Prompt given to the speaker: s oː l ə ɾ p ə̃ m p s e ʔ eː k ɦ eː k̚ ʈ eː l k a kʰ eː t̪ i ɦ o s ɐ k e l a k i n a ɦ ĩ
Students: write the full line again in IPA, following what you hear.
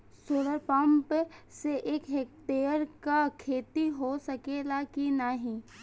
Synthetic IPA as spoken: s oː l ə ɾ p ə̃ m p s e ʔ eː k ɦ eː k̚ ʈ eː ɾ k a kʰ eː t̪ i ɦ o s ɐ k e l a k i n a ɦ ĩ